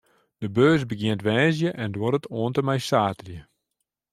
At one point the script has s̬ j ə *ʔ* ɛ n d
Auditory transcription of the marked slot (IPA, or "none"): ʔ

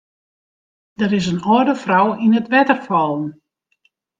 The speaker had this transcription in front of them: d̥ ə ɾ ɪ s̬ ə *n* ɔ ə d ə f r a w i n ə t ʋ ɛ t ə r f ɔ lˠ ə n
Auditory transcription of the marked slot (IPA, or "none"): n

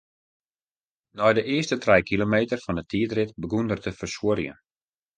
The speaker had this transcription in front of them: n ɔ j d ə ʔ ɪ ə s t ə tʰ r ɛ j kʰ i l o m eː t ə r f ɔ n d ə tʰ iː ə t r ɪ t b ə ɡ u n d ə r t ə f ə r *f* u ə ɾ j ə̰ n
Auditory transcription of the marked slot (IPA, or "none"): s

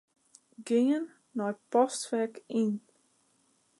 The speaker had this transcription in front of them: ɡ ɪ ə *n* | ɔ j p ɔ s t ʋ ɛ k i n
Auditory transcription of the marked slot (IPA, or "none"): nː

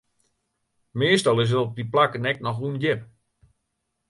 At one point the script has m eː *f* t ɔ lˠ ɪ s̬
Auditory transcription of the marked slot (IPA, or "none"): s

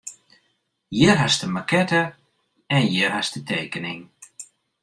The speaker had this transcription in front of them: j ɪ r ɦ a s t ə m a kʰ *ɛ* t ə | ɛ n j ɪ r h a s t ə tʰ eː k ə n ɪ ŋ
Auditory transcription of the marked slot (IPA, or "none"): ɛ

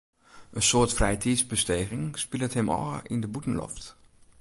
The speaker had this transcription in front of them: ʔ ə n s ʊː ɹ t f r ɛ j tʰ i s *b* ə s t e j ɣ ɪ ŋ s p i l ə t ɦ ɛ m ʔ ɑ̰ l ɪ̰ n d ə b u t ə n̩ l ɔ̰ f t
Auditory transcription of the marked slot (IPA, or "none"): b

